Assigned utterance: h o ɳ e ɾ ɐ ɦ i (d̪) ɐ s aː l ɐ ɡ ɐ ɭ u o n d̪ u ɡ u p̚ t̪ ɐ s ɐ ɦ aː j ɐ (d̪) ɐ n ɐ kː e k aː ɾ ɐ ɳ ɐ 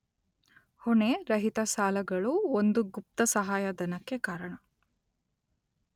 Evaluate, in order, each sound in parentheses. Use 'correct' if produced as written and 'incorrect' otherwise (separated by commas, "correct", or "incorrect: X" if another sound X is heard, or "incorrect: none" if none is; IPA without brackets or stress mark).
incorrect: t̪, correct